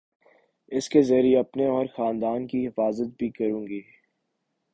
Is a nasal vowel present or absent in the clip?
present